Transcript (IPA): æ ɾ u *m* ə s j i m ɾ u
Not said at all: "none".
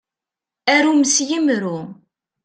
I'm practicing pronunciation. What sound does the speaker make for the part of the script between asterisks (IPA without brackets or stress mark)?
m